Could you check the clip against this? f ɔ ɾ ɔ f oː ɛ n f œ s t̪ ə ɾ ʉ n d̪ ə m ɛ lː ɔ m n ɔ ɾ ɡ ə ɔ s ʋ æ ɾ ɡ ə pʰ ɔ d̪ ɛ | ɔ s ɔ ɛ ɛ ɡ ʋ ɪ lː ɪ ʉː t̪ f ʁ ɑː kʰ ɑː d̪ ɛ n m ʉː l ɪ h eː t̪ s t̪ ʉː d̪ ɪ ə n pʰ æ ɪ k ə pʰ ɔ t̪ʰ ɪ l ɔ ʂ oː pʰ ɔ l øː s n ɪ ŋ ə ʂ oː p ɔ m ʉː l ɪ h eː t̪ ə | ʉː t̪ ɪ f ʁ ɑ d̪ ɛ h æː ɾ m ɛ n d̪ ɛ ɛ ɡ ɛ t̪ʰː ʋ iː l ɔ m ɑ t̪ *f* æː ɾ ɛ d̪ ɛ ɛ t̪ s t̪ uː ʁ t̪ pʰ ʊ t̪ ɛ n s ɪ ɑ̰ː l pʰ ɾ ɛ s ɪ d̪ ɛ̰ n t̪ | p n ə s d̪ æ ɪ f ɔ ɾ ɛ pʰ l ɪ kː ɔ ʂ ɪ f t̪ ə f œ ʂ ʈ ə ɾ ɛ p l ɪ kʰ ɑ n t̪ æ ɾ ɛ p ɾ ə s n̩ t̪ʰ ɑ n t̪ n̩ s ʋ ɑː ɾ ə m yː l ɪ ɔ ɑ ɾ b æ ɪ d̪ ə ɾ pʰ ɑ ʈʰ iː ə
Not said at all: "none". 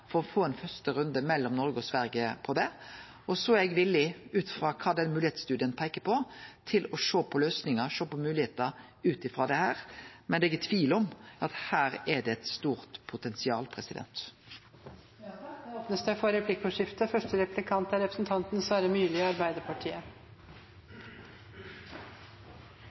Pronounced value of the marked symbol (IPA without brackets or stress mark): h